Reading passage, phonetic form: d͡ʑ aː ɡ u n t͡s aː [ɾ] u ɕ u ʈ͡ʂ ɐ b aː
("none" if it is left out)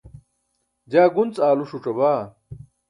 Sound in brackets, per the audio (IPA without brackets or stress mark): l